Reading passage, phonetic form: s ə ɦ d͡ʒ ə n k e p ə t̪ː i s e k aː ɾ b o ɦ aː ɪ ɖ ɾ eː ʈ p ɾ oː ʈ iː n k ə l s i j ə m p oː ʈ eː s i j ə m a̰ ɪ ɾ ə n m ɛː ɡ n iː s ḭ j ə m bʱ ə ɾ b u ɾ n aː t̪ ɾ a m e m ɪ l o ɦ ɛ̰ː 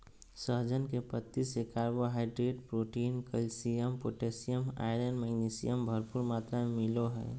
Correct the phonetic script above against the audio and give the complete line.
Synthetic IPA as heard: s ə ɦ d͡ʒ ə n k e p ə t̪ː i s e k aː ɾ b o ɦ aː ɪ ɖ ɾ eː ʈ p ɾ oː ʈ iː n k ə l s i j ə m p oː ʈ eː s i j ə m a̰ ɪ ɾ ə n m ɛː ɡ n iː s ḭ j ə m bʱ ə ɾ p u ɾ m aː t̪ ɾ a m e m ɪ l o ɦ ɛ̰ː

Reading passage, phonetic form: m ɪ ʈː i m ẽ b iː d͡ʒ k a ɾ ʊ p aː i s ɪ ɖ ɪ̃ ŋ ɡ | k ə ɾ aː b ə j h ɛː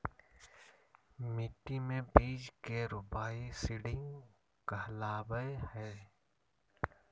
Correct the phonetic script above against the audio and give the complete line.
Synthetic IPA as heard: m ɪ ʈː i m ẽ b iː d͡ʒ k e ɾ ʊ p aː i s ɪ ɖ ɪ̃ ŋ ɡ | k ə l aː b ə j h ɛː

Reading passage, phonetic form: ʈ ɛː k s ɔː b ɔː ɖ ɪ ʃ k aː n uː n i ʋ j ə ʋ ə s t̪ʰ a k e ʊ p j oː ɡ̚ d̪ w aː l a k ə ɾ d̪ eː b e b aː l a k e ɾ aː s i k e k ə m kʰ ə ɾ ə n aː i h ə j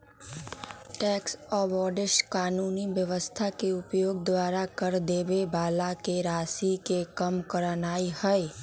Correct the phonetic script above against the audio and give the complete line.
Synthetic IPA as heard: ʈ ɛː k s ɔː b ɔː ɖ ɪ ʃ k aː n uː n i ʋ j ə ʋ ə s t̪ʰ a k e ʊ p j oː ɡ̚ d̪ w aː ɾ a k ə ɾ d̪ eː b e b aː l a k e ɾ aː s i k e k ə m k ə ɾ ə n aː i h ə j

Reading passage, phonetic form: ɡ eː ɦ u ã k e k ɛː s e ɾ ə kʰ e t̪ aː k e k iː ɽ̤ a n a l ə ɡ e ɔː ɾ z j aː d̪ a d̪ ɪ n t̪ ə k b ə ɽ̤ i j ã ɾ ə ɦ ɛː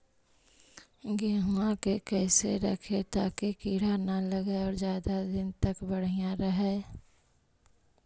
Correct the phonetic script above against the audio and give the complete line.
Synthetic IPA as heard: ɡ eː ɦ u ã k e k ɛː s e ɾ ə kʰ e t̪ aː k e k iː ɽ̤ a n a l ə ɡ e ɔː ɾ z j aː d̪ a d̪ ɪ n t̪ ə k b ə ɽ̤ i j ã ɾ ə ɦ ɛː

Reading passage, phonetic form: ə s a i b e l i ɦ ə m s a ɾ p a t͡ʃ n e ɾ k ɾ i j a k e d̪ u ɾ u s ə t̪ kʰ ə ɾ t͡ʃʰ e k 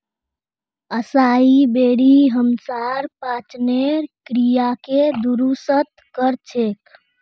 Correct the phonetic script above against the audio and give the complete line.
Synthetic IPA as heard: ə s a i b e ɽ i ɦ ə m s a ɾ p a t͡ʃ n e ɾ k ɾ i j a k e d̪ u ɾ u s ə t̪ k ə ɾ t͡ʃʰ e k

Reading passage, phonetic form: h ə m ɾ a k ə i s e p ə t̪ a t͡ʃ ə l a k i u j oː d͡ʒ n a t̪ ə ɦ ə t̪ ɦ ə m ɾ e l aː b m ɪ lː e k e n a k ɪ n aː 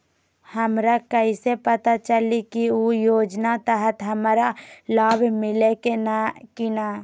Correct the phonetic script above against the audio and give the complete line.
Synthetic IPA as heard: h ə m ɾ a k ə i s e p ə t̪ a t͡ʃ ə l i k i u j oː d͡ʒ n a t̪ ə ɦ ə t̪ ɦ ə m ɾ a l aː b m ɪ l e k e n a k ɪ n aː

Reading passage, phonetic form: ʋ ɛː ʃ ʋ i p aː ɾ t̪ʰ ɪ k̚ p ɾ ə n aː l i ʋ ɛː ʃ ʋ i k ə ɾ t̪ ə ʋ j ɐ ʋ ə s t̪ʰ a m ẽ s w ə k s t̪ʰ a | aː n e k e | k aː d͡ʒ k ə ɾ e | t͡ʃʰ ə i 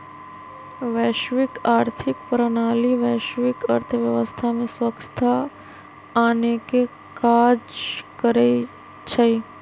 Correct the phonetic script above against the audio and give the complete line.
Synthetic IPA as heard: ʋ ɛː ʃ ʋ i k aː ɾ t̪ʰ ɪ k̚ p ɾ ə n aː l i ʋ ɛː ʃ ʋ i k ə ɾ t̪ʰ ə ʋ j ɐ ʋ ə s t̪ʰ a m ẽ s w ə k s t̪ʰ a | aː n e k e | k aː d͡ʒ k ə ɾ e | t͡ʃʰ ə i

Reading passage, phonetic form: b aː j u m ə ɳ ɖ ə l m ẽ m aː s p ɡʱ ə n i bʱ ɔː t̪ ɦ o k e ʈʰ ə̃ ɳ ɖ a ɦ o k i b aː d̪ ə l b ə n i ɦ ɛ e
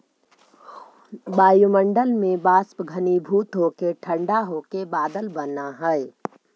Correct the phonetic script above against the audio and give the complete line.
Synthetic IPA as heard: b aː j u m ə ɳ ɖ ə l m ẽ b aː s p ɡʱ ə n i bʱ uː t̪ ɦ o k e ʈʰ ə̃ ɳ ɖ a ɦ o k e b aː d̪ ə l b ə n a ɦ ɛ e

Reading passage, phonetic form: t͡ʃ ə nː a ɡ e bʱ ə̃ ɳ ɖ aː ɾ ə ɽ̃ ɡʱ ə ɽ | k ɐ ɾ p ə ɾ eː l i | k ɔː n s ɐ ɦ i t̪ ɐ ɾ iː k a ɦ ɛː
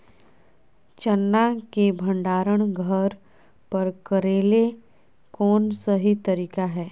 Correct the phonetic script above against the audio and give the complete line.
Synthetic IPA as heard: t͡ʃ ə nː a k e bʱ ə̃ ɳ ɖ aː ɾ ə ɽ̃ ɡʱ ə ɾ | p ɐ ɾ k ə ɾ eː l e | k ɔː n s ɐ ɦ i t̪ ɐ ɾ iː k a ɦ ɛː

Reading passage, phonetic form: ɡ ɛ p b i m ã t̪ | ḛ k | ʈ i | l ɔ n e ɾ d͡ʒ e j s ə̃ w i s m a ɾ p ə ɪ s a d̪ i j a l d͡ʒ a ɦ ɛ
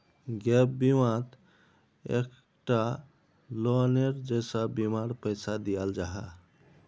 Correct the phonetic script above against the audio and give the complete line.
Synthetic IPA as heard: ɡ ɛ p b i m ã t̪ | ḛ k | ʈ a | l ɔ n e ɾ d͡ʒ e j s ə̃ b i m a ɾ p ə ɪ s a d̪ i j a l d͡ʒ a ɦ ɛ

